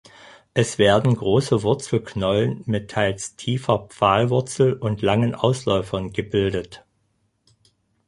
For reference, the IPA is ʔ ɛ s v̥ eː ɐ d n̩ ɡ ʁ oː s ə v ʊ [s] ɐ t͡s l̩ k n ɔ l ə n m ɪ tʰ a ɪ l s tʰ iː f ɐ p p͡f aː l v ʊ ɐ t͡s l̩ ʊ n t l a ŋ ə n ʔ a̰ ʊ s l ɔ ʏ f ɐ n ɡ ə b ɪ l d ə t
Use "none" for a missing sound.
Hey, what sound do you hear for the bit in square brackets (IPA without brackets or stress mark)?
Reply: none